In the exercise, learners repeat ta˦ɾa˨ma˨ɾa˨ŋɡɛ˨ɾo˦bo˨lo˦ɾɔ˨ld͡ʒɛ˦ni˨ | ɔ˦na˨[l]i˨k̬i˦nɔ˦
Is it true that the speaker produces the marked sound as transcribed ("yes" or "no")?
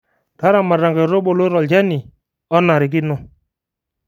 no